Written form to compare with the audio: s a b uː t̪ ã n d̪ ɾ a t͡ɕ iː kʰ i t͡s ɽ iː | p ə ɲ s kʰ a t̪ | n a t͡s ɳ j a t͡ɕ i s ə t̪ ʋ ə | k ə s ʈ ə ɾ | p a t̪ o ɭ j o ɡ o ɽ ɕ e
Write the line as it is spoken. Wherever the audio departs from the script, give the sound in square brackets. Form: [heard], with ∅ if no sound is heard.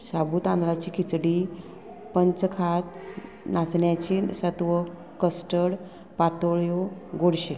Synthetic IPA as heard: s a b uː t̪ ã n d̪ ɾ a t͡ɕ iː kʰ i t͡s ɽ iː | p ə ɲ [t͡s] kʰ a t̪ | n a t͡s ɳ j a t͡ɕ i s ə t̪ ʋ ə | k ə s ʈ ə [ɽ] | p a t̪ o ɭ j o ɡ o ɽ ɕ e